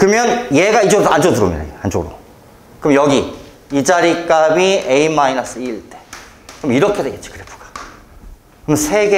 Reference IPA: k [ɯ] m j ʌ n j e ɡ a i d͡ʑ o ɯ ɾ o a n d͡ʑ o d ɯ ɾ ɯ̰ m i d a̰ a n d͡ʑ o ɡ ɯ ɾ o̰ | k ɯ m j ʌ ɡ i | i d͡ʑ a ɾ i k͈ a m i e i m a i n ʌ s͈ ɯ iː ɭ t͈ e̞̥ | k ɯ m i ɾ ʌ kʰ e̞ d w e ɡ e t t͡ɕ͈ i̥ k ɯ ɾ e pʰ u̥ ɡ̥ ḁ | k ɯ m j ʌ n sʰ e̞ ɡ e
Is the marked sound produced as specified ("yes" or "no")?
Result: yes